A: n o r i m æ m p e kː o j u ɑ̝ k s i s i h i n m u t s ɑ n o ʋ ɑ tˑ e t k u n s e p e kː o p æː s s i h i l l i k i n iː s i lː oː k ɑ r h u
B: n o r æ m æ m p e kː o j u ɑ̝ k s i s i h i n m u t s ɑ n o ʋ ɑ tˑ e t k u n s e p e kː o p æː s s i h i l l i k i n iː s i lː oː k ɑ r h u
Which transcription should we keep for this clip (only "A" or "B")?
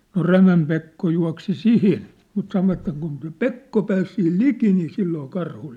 B